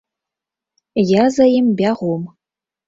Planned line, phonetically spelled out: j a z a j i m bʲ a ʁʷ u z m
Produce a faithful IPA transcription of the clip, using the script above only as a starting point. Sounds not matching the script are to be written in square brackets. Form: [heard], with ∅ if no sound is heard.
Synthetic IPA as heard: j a z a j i m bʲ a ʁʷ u [∅] m